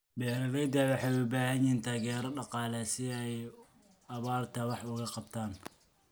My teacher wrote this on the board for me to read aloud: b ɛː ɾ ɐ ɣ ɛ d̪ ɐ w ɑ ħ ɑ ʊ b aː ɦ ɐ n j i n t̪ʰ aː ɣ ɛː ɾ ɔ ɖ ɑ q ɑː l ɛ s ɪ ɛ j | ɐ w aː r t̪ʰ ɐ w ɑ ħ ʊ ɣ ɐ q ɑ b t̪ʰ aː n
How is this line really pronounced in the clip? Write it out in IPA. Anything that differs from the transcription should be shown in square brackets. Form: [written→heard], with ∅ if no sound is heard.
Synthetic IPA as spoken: b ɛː ɾ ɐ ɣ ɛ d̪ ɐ w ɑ ħ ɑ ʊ b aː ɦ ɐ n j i n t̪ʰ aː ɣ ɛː ɾ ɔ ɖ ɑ q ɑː l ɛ s ɪ ɛ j | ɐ [w→β] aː r t̪ʰ ɐ w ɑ ħ ʊ ɣ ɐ q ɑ b t̪ʰ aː n